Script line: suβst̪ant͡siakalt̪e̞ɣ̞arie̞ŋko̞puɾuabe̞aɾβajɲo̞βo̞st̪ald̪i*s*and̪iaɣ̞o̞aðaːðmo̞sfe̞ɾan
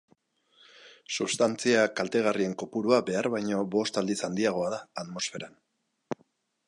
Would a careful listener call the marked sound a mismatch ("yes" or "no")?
no